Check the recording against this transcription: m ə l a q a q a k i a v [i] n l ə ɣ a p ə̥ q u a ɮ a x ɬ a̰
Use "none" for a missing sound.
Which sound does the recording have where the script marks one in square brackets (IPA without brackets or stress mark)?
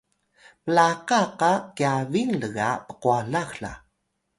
i